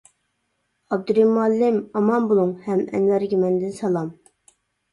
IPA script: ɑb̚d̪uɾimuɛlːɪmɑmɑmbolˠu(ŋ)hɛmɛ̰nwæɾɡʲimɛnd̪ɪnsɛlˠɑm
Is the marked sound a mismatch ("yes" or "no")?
no